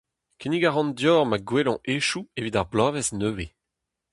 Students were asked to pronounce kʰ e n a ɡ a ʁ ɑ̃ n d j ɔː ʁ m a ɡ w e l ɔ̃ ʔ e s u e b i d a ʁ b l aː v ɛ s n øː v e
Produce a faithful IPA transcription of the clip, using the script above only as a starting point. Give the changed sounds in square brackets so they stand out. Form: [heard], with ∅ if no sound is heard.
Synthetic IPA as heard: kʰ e n [i] ɡ a ʁ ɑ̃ n d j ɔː ʁ m a ɡ w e l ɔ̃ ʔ e [ʃ] u e [v] i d a ʁ b l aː v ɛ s n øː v e